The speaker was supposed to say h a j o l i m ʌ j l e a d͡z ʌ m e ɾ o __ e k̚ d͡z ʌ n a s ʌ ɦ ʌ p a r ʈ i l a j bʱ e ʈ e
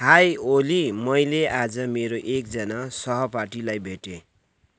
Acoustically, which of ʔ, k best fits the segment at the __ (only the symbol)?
ʔ